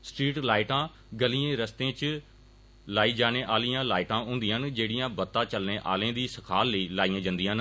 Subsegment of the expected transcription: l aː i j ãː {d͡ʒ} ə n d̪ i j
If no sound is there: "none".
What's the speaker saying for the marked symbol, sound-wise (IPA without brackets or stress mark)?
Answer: d͡ʒ